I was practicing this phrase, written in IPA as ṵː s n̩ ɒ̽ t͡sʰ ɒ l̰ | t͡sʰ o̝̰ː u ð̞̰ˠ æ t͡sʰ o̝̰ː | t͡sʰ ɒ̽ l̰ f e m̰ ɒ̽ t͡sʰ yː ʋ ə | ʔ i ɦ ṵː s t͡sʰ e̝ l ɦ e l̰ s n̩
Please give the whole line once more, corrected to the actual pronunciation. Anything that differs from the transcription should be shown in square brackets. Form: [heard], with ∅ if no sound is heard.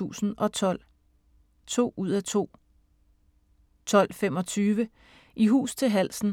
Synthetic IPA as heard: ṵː s n̩ ɒ̽ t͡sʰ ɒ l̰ | t͡sʰ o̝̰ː u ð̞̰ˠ æ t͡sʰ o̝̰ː | t͡sʰ ɒ̽ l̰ f e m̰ ɒ̽ t͡sʰ yː ʋ ə | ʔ i ɦ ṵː s t͡sʰ e̝ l ɦ [æ] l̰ s n̩